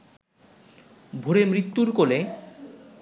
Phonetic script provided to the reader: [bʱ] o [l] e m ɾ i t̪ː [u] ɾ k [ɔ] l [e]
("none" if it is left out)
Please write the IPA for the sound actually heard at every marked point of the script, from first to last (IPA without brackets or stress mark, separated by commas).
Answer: bʱ, ɾ, u, o, e